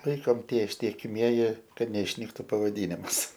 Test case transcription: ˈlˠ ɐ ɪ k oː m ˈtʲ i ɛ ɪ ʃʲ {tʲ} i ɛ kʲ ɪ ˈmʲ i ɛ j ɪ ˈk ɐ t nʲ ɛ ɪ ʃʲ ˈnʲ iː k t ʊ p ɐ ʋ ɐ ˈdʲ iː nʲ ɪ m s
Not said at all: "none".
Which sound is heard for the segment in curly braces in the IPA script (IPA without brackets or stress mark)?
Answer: tʲ